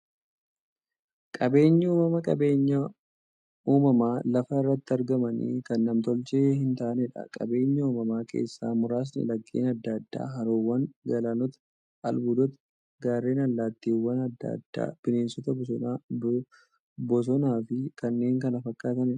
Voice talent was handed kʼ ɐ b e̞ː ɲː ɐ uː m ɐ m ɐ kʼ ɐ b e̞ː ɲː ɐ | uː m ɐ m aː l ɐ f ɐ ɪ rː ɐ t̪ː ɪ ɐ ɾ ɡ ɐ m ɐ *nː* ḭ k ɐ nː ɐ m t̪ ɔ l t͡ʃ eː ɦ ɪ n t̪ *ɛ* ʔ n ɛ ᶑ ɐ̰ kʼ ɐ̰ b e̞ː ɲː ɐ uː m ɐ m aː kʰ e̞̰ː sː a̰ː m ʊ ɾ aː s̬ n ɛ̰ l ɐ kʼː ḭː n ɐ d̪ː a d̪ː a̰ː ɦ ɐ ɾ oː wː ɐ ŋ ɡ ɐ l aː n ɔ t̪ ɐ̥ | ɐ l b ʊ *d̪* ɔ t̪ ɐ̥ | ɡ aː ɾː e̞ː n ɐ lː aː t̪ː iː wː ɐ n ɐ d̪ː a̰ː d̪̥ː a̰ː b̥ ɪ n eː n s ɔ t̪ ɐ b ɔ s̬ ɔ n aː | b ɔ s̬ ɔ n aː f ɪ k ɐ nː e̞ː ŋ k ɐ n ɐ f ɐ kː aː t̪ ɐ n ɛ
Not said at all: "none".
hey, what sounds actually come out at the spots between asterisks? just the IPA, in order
n, a, d̪

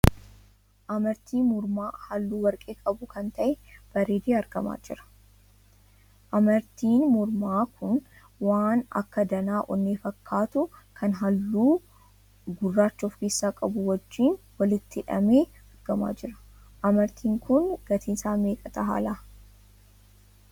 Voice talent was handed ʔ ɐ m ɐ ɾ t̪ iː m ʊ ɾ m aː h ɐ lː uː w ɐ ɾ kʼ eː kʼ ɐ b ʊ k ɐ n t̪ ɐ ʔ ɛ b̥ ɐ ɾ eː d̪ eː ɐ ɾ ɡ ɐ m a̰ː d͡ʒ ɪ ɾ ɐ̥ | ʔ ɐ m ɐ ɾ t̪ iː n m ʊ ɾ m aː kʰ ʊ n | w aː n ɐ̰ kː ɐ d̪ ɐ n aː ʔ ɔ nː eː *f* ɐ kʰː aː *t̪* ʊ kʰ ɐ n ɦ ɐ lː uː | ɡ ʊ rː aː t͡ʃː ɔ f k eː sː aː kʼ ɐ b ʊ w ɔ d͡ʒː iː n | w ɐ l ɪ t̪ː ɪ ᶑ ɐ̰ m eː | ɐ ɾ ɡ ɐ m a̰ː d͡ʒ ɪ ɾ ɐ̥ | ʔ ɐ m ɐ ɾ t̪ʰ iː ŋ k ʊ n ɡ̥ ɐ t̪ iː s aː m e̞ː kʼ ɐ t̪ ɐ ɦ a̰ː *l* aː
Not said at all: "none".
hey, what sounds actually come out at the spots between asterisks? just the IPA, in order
f, t̪, l

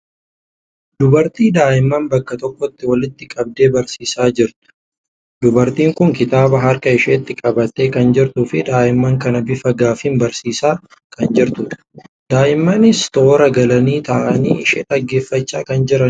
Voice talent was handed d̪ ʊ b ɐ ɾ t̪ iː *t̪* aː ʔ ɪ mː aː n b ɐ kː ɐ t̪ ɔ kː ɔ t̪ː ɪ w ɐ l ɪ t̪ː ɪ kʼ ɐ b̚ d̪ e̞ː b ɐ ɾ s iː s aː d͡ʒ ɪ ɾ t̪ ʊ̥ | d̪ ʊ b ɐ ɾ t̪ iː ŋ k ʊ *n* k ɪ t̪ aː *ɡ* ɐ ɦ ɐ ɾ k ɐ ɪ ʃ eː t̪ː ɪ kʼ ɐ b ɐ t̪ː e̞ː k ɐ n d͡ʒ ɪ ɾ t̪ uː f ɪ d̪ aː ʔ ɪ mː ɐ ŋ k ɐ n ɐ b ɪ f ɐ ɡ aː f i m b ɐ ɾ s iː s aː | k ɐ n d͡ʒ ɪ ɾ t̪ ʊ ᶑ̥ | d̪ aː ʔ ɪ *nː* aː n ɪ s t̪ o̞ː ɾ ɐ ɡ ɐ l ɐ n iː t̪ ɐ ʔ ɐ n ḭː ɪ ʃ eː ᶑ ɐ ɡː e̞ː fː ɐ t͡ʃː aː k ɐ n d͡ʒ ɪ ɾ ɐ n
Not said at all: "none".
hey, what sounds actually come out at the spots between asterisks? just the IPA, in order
d̪, ŋ, b, mː

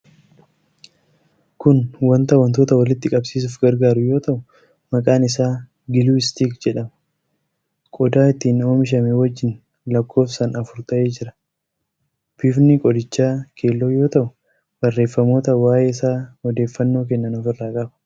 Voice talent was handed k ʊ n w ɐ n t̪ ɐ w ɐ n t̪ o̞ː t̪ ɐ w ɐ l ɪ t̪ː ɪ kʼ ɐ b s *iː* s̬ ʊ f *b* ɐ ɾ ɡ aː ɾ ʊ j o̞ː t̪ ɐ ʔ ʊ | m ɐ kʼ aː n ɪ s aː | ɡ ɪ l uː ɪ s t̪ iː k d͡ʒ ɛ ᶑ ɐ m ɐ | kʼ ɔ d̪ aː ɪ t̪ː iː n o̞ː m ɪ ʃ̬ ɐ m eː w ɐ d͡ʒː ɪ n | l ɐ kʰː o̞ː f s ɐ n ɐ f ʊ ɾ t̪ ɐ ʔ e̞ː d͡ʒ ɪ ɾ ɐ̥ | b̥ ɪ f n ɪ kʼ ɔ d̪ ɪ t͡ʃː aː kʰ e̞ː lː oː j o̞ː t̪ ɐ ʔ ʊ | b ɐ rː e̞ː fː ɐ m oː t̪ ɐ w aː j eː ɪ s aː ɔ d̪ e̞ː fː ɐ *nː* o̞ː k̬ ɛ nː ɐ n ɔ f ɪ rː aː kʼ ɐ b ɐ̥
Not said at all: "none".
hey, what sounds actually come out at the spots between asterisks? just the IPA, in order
iː, ɡ, nː

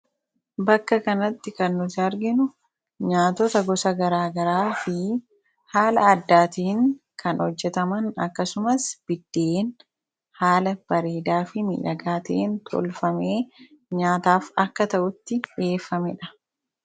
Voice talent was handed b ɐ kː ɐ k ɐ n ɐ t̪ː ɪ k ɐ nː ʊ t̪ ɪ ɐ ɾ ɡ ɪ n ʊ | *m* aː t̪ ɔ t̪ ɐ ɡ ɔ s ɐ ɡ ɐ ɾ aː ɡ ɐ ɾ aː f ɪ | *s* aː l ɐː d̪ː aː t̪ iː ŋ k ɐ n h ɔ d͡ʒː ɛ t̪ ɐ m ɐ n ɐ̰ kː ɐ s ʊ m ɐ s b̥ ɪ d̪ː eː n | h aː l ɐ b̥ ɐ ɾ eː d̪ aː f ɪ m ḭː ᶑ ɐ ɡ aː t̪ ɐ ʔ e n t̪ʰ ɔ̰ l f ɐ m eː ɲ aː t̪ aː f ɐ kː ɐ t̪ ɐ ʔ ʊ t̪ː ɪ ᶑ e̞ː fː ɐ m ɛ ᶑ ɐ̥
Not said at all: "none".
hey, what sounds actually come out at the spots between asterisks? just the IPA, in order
ɲ, h

